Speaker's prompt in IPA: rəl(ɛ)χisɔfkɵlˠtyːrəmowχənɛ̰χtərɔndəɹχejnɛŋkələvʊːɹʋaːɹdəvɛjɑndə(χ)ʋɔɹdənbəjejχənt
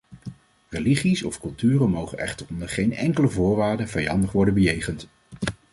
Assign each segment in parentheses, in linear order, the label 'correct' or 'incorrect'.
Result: incorrect: i, correct

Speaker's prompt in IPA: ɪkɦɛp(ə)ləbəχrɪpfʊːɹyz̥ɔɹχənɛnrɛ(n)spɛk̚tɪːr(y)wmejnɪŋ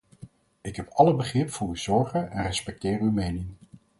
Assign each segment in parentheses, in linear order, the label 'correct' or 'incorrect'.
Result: incorrect: ɑ, incorrect: none, correct

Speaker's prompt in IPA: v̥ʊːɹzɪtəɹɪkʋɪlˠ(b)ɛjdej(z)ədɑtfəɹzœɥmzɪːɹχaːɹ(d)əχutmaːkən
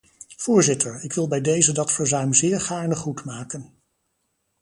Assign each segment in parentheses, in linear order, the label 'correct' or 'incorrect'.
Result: correct, correct, incorrect: n

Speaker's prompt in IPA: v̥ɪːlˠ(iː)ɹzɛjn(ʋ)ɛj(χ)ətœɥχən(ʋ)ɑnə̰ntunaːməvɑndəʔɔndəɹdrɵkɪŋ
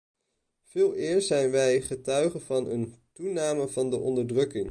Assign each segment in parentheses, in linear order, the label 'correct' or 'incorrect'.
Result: incorrect: ɪː, correct, correct, incorrect: v

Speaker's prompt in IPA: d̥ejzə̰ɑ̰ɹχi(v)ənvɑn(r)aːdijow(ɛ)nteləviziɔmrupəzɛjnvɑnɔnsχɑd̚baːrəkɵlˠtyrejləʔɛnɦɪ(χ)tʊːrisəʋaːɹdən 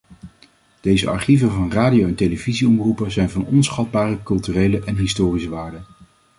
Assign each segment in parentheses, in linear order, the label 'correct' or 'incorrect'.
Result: correct, correct, correct, incorrect: s

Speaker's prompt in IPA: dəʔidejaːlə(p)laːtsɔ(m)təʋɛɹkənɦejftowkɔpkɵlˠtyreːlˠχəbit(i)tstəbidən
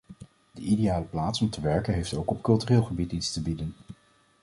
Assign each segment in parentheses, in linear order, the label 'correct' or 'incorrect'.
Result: correct, correct, correct

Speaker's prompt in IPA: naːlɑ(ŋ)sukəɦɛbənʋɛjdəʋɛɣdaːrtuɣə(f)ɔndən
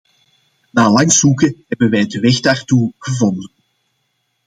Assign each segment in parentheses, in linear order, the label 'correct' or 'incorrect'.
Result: correct, incorrect: v

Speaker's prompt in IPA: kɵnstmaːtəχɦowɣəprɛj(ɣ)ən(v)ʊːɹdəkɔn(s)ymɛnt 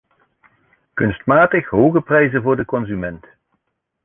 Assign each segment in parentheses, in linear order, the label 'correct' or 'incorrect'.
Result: incorrect: z, correct, incorrect: z

